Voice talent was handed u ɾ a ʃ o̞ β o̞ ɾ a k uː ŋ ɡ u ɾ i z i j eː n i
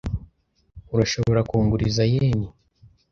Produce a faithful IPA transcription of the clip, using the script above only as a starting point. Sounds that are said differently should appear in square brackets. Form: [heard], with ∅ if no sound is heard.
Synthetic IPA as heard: u ɾ a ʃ o̞ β o̞ ɾ a k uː ŋ ɡ u ɾ i z [a] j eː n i